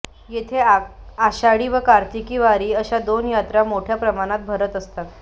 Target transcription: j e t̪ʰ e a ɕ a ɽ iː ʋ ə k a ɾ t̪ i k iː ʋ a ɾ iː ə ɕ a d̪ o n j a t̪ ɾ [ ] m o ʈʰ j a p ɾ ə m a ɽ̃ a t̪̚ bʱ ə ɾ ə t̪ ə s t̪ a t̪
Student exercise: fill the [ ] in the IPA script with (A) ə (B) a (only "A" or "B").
B